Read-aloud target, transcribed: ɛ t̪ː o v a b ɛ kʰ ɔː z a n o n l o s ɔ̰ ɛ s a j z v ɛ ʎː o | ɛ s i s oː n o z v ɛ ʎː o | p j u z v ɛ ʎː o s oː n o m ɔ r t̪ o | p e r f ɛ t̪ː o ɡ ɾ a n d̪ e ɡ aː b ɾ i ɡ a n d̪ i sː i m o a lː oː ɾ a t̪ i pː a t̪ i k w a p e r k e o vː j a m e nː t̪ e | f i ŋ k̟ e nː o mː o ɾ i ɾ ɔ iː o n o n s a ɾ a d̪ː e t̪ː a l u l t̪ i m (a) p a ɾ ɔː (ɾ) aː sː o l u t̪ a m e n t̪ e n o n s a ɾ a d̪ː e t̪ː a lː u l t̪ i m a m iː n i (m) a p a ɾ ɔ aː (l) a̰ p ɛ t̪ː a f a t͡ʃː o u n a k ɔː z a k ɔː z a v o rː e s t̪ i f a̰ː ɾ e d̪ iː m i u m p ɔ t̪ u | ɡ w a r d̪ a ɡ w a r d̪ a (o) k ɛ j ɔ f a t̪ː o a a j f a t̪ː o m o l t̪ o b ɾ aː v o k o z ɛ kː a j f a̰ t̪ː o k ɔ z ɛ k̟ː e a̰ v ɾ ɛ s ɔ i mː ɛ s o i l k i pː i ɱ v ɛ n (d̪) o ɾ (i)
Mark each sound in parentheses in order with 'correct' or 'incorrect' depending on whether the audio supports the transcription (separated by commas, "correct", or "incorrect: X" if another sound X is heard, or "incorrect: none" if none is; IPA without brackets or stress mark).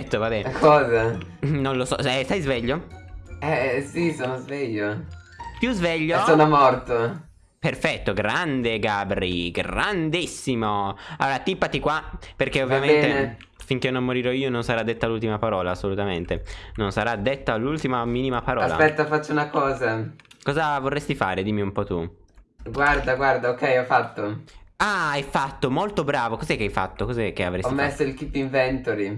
correct, incorrect: l, correct, correct, correct, incorrect: t̪, correct